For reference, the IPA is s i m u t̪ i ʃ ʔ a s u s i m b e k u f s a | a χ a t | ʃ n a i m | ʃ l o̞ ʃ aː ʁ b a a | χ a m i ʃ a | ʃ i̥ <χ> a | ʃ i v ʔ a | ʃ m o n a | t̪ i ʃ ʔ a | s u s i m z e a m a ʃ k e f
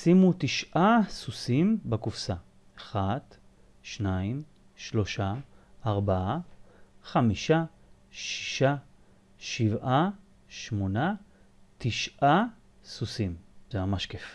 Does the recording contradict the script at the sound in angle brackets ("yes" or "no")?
yes